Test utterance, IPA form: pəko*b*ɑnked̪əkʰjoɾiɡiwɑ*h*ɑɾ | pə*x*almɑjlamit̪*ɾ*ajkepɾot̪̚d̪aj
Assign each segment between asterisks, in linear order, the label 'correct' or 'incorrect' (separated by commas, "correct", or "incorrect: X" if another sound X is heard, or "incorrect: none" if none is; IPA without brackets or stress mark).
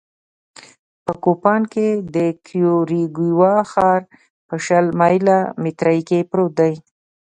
incorrect: p, incorrect: x, incorrect: ʃ, correct